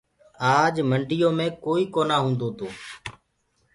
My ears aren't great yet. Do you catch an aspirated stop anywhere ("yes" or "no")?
no